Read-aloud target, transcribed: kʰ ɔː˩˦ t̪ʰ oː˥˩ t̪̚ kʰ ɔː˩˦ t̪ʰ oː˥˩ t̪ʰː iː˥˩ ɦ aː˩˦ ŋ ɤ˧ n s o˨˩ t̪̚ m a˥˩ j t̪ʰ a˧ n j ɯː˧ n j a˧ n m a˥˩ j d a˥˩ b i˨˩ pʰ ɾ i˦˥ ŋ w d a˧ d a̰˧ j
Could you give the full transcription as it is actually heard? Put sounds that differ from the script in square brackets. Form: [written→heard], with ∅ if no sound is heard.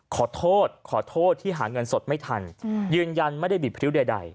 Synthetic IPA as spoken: kʰ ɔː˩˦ t̪ʰ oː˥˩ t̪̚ kʰ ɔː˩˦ t̪ʰ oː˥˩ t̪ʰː iː˥˩ ɦ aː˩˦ ŋ ɤ˧ n s o˨˩ t̪̚ m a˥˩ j t̪ʰ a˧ n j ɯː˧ n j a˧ n m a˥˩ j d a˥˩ b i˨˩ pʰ ɾ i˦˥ [ŋ→∅] w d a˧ d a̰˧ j